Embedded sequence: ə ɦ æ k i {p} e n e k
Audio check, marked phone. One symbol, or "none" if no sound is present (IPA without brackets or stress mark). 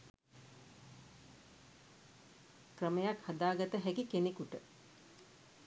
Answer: k